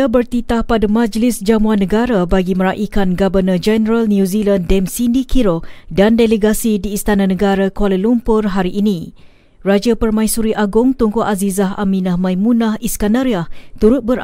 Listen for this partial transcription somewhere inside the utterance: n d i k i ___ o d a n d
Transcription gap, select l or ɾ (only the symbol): ɾ